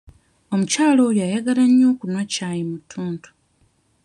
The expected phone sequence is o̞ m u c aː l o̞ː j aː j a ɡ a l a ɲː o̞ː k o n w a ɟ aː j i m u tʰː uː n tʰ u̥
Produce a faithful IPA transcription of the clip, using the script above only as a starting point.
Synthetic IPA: o̞ m u c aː l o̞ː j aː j a ɡ a l a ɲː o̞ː k u n w a c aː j i m u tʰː uː n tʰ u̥